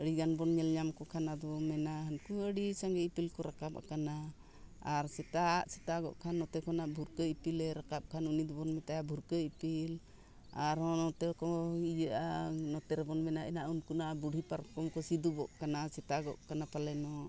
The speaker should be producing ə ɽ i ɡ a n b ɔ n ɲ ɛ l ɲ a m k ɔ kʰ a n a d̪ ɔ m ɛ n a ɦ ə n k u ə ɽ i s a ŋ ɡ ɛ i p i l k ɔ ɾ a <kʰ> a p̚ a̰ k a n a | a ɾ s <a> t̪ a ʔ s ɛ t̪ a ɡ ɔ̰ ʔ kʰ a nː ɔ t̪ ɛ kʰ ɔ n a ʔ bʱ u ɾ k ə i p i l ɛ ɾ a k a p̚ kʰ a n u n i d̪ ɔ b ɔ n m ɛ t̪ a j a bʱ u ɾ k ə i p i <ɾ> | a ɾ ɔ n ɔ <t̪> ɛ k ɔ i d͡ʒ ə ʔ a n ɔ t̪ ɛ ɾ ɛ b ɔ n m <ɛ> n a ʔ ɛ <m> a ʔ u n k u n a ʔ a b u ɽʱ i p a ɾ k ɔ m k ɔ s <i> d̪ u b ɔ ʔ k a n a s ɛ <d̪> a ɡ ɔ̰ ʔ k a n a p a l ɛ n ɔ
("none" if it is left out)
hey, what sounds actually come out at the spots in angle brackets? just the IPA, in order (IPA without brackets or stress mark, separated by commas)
k, ɛ, l, t̪, ɛ, n, i, t̪